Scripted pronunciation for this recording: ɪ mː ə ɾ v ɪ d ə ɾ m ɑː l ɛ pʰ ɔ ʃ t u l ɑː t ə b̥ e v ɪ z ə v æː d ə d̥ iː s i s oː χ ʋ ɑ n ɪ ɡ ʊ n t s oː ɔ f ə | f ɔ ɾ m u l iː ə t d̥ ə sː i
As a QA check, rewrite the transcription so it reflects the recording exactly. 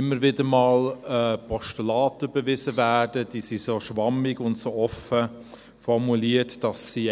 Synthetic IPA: ɪ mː ə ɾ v ɪ d ə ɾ m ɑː l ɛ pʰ ɔ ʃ t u l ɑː t ə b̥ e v ɪ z ə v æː d ə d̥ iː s i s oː ʃ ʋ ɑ m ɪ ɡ ʊ n t s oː ɔ f ə | f ɔ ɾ m u l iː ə t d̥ ɑ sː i